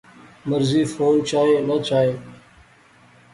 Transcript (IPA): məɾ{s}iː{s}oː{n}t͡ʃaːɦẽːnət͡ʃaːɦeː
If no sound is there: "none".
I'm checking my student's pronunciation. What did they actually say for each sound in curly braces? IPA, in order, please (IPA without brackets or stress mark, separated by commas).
z, f, n